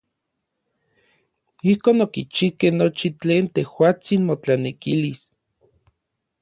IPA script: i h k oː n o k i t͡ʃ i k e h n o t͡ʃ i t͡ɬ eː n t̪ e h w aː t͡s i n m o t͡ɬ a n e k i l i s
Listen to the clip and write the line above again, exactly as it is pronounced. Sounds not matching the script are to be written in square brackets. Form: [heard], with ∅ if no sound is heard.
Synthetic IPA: i h k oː n o k i t͡ʃ i k e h n o t͡ʃ i t͡ɬ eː n t̪ e h w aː t͡s i n m o t͡ɬ a n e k i l i s